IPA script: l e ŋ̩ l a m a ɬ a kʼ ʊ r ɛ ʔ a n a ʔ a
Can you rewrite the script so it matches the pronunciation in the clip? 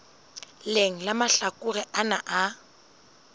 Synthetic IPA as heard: l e ŋ̩ l a m a ɬ a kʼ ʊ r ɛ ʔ a n a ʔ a